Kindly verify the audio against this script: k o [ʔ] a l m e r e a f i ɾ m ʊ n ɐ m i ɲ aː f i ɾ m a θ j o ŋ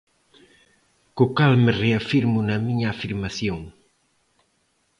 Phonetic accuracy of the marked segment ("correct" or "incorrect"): incorrect